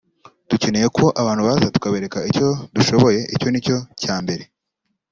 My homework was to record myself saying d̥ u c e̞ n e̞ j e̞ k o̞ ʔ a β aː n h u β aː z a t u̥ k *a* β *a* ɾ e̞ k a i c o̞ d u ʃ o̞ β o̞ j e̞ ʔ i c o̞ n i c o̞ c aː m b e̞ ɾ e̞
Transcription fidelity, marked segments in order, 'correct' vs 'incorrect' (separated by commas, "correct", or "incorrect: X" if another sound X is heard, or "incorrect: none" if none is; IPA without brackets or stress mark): correct, incorrect: e